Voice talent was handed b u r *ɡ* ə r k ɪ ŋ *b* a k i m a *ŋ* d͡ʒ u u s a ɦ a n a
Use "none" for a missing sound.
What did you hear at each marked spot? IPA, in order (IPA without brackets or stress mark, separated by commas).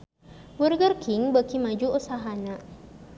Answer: ɡ, b, none